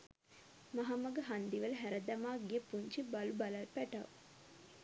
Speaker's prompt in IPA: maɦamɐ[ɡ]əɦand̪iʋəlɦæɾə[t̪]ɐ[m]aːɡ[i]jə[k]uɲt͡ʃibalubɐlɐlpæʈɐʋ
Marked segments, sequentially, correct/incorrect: correct, incorrect, correct, correct, incorrect

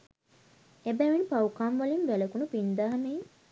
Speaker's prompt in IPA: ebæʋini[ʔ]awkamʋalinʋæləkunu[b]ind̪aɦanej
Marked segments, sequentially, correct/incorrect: incorrect, incorrect

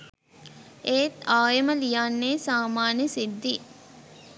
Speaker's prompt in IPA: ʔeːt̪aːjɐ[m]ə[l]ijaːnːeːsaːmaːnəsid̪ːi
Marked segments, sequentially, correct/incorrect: correct, correct

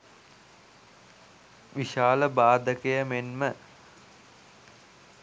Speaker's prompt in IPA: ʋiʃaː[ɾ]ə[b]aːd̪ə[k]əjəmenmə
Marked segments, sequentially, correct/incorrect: incorrect, correct, correct

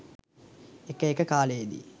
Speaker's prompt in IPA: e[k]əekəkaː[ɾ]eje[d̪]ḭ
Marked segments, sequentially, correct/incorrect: correct, incorrect, correct

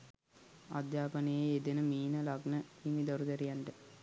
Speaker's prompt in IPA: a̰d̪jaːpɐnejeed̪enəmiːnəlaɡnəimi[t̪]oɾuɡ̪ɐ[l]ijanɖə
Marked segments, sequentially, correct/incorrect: incorrect, incorrect

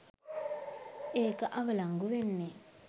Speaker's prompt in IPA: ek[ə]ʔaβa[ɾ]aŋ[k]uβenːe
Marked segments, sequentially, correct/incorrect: incorrect, incorrect, incorrect

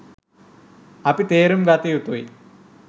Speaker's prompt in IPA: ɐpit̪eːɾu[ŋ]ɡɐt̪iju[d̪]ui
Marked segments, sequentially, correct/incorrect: incorrect, incorrect

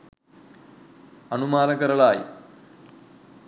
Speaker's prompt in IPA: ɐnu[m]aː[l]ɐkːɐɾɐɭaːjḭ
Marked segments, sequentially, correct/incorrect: correct, correct

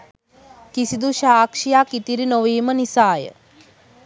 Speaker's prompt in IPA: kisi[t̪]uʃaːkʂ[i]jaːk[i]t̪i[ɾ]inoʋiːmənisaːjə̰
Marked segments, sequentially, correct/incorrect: incorrect, correct, correct, correct

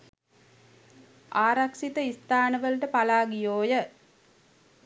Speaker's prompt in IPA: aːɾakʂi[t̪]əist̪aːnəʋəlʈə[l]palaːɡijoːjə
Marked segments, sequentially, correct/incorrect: correct, incorrect

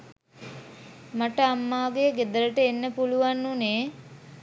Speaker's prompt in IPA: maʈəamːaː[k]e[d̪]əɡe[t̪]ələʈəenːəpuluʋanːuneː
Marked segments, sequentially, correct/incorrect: incorrect, incorrect, incorrect

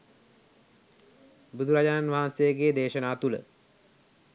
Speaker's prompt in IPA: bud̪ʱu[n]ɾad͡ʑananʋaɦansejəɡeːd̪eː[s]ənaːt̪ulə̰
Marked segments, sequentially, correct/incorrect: incorrect, incorrect

